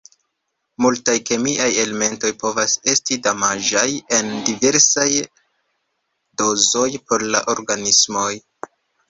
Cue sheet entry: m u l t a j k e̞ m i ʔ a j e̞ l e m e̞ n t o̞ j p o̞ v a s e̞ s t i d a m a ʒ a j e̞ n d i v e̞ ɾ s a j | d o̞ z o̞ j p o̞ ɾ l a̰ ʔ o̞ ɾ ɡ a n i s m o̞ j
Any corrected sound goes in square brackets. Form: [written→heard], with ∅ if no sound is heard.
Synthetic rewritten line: m u l t a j k e̞ m i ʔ a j e̞ l e m e̞ n t o̞ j p o̞ v a s e̞ s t i d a m a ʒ a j e̞ n d i v e̞ ɾ s a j | d o̞ z o̞ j p o̞ ɾ l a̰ ʔ o̞ ɾ ɡ a n i s m o̞ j